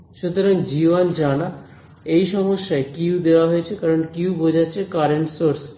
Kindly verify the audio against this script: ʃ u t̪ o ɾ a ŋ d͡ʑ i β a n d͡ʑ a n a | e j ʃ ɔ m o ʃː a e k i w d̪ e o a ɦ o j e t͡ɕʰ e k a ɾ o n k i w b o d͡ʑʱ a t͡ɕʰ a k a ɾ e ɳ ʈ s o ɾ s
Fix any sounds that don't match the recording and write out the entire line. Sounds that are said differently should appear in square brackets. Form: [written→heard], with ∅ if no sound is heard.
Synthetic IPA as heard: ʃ u t̪ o ɾ a ŋ d͡ʑ i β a n d͡ʑ a n a | e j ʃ ɔ m o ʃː a e k i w d̪ e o a ɦ o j e t͡ɕʰ e k a ɾ o n k i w b o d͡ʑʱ a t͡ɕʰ [a→e] k a ɾ e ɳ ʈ s o ɾ s

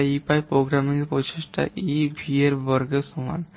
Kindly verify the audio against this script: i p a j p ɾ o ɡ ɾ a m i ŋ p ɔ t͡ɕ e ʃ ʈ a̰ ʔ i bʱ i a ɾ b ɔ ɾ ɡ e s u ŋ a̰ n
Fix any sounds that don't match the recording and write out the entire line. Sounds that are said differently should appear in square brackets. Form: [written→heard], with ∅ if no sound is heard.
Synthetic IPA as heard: i p a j p ɾ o ɡ ɾ a m i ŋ p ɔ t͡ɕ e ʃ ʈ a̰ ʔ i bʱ i [a→e] ɾ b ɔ ɾ ɡ e s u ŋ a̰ n

